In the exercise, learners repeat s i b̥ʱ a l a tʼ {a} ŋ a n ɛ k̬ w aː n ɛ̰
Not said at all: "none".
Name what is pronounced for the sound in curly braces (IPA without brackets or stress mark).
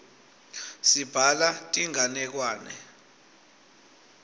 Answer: i